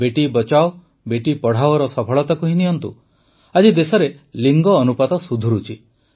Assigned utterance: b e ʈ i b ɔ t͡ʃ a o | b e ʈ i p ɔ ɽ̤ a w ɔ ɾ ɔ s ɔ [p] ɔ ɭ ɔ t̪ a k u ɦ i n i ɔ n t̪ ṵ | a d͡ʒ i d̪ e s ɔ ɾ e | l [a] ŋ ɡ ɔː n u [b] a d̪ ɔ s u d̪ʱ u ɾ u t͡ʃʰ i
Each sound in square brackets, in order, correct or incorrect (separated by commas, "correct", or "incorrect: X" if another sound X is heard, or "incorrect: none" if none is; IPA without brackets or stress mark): incorrect: pʰ, incorrect: i, incorrect: p